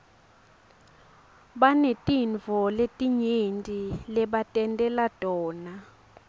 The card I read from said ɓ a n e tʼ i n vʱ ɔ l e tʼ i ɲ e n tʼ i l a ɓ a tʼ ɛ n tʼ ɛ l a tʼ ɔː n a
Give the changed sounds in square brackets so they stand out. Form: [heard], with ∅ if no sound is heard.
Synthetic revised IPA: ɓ a n e tʼ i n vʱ ɔ l e tʼ i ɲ e n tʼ i l [ɛ] ɓ a tʼ ɛ n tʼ ɛ l a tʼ ɔː n a